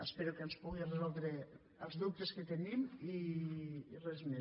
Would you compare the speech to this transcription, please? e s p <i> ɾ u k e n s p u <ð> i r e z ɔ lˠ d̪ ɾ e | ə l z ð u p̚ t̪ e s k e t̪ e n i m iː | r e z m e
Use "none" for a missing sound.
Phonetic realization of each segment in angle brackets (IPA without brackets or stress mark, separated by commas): e, ɣ